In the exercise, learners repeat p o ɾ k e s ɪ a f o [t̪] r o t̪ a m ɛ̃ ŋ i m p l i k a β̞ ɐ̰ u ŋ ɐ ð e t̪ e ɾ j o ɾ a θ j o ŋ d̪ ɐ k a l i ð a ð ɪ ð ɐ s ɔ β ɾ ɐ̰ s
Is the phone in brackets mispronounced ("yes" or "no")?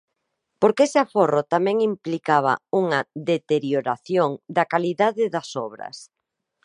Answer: yes